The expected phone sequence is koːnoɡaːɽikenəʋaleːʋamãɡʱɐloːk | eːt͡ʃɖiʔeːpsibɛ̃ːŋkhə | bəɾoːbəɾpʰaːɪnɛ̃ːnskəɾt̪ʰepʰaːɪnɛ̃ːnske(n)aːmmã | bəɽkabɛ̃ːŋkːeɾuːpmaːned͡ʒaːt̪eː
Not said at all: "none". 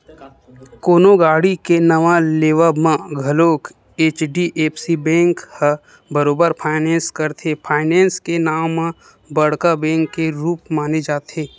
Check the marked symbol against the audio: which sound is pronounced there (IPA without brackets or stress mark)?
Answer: n